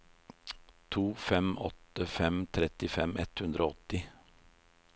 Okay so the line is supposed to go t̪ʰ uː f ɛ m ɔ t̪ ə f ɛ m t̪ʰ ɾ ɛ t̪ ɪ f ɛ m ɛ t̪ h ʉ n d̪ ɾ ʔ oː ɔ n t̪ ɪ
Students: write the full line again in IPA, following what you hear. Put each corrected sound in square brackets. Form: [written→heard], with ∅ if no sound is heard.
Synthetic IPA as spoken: t̪ʰ uː f ɛ m ɔ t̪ ə f ɛ m t̪ʰ ɾ ɛ t̪ ɪ f ɛ m ɛ t̪ h ʉ n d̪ ɾ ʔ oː ɔ [n→∅] t̪ ɪ